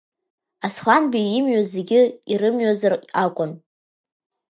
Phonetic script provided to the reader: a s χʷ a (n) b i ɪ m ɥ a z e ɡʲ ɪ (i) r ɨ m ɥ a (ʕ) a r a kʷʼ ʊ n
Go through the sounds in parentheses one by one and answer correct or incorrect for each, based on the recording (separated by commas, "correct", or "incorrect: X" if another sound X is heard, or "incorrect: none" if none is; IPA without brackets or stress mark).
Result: correct, correct, incorrect: z